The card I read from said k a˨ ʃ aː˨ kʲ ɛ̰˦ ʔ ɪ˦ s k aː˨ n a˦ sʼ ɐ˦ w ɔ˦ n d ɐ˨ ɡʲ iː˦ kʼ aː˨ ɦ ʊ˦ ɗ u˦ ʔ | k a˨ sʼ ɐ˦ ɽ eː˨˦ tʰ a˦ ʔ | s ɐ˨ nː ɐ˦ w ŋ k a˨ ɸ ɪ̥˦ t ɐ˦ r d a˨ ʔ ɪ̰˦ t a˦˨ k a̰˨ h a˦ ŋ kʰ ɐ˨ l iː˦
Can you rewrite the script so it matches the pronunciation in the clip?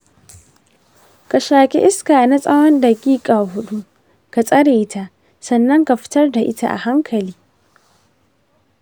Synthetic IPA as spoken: k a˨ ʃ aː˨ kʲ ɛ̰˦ ʔ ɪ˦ s k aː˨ n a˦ sʼ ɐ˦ w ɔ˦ n d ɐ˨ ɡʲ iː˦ kʼ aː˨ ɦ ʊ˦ ɗ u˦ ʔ | k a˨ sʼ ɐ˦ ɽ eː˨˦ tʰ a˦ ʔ | s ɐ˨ nː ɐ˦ ŋ k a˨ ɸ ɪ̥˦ t ɐ˦ r d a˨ ʔ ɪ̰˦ t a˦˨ ʔ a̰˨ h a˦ ŋ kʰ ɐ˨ l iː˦